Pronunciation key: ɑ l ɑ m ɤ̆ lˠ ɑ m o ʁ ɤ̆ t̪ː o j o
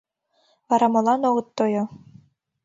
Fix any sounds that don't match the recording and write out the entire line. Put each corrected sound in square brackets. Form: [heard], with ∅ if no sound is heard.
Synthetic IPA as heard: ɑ [ɾ] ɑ m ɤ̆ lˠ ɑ [n] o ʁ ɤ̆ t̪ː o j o